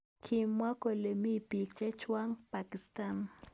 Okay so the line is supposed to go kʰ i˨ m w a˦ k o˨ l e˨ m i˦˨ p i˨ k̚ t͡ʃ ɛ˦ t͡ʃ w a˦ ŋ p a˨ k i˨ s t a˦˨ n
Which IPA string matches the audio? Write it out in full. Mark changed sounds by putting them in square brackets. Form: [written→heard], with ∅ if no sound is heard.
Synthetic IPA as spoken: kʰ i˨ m w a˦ k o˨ l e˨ m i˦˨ p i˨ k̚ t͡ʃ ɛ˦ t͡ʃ w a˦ ŋ p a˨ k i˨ s t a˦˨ n

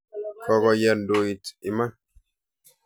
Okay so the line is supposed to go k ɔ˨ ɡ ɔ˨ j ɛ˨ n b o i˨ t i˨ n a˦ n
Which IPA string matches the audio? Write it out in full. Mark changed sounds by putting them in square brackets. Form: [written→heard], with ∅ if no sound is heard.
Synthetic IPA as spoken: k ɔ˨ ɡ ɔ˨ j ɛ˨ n [b→d] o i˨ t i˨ [n→m] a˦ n

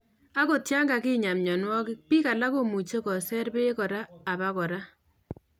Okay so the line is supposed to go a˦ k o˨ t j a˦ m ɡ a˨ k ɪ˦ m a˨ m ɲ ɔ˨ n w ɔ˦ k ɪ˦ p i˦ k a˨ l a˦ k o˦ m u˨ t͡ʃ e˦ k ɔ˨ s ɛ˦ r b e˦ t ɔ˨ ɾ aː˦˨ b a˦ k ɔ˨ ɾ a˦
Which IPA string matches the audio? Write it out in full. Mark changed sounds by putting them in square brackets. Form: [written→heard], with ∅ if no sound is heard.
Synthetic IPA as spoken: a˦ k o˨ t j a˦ [m→ŋ] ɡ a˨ k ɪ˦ [m→ɲ] a˨ m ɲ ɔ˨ n w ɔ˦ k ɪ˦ p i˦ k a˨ l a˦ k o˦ m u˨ t͡ʃ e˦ k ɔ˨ s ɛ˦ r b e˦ [t→k] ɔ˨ ɾ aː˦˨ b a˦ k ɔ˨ ɾ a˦

